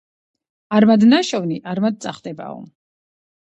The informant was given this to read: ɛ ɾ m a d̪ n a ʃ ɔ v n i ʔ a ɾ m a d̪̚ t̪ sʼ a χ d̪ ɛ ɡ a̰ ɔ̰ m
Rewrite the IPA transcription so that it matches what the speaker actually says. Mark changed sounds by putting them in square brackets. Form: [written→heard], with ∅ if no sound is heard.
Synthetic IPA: [ɛ→a] ɾ m a d̪ n a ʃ ɔ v n i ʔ a ɾ m a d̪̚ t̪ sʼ a χ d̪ ɛ [ɡ→b] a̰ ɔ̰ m